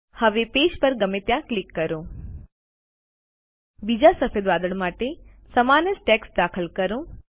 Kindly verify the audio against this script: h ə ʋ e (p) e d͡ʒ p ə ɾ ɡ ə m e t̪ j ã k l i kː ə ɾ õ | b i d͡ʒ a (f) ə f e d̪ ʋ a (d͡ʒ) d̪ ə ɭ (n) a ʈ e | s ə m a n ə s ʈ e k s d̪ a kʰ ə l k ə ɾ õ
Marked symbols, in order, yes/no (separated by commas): yes, no, no, no